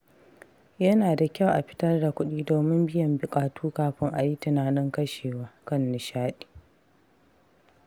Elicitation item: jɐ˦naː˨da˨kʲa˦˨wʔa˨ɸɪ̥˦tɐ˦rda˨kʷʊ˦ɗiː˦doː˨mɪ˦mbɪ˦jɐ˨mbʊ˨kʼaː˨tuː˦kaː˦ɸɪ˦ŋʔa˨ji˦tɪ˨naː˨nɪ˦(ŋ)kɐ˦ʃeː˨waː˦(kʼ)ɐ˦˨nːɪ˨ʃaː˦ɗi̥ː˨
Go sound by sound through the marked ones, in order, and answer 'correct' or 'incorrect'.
correct, incorrect: k

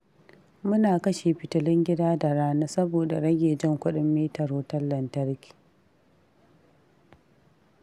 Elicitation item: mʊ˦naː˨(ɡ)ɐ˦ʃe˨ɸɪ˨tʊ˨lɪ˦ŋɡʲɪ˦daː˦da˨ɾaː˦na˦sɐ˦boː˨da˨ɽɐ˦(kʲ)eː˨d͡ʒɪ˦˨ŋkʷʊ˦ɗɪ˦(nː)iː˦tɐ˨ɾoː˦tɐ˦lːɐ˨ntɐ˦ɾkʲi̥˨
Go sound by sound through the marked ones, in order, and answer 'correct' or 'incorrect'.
incorrect: k, incorrect: ɡʲ, incorrect: mː

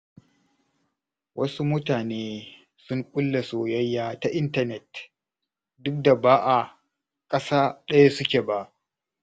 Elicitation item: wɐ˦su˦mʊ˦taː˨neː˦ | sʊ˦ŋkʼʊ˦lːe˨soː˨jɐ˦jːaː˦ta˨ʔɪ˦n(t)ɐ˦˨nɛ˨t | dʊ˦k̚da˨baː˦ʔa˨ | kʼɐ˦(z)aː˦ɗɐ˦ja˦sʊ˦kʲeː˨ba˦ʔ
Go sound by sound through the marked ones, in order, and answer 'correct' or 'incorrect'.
correct, incorrect: s

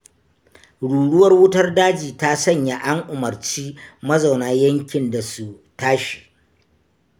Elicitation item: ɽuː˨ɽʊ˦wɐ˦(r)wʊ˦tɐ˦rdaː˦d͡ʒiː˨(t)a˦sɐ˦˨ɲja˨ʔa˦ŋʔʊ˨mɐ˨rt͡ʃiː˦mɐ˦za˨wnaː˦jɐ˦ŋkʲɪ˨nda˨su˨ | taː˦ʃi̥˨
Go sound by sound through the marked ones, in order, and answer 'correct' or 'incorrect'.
correct, correct

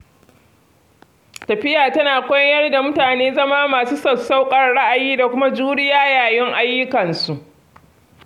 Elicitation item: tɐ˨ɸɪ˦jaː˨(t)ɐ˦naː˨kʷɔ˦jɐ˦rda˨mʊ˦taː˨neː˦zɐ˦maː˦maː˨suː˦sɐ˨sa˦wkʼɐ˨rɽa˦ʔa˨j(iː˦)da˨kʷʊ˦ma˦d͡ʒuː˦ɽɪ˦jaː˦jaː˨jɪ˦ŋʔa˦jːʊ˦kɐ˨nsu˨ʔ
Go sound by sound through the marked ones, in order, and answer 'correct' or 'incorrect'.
correct, correct

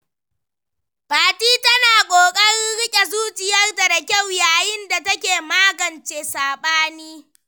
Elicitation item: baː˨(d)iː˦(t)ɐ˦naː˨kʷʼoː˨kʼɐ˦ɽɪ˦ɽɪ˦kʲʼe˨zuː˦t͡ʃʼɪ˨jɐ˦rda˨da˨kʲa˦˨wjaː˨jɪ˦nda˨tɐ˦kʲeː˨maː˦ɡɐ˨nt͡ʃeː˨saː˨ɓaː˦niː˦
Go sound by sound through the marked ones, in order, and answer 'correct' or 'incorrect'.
incorrect: t, correct

